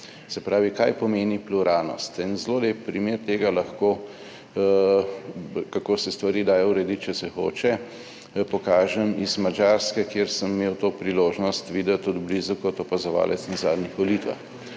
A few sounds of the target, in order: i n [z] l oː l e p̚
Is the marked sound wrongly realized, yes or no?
no